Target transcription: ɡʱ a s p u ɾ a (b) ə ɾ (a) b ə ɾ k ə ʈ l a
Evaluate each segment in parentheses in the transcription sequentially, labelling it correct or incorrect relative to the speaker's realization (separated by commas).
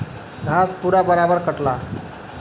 correct, correct